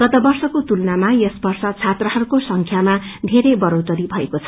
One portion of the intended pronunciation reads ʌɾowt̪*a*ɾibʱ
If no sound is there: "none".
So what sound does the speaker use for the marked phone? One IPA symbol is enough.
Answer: ʌ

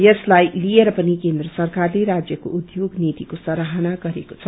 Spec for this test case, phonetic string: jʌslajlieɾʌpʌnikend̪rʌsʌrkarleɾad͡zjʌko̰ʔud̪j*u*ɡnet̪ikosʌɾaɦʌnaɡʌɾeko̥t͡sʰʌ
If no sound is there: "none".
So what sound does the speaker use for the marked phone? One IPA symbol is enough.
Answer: o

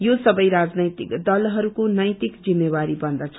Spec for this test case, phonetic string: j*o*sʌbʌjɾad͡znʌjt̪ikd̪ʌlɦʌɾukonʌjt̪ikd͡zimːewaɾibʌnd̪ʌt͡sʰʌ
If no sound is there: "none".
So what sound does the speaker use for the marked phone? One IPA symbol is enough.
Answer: o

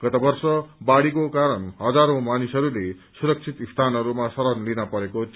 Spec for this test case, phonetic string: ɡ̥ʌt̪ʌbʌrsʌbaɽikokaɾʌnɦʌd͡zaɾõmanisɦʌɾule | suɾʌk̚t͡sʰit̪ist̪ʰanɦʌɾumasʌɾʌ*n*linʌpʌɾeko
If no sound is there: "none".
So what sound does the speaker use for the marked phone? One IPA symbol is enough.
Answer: n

